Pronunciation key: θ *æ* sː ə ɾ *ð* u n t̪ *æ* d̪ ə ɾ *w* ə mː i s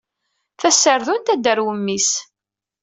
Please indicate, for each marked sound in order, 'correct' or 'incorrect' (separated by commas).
correct, correct, correct, correct